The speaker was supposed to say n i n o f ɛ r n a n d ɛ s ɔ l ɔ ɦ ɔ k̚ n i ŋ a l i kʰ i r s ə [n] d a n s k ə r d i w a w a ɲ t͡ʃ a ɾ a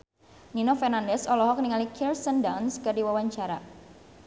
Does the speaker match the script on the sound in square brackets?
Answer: yes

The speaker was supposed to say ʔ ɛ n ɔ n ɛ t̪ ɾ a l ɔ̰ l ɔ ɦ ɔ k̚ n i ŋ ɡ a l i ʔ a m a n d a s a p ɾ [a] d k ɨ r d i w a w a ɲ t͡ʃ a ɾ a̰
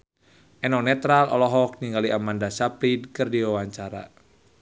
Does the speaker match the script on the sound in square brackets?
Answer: no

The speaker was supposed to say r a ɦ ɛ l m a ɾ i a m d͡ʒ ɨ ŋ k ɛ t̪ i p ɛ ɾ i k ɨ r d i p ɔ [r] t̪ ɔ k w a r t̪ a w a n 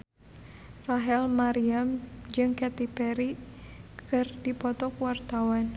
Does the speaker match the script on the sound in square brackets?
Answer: no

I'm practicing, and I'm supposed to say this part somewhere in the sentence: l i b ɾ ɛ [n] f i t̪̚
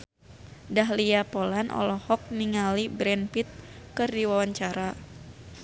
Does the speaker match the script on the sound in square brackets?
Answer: yes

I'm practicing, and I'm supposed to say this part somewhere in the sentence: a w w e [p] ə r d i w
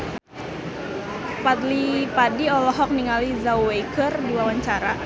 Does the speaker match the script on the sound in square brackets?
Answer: no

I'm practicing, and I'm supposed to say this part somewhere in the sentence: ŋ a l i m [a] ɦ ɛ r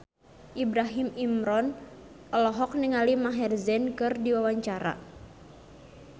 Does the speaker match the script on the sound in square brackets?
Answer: yes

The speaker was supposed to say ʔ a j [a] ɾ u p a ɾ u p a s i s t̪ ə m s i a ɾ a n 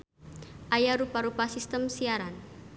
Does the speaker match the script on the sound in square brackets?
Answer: yes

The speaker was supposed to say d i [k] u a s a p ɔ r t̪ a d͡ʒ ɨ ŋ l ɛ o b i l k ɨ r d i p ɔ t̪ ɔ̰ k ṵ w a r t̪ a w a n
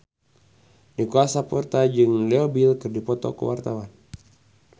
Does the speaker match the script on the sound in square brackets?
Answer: yes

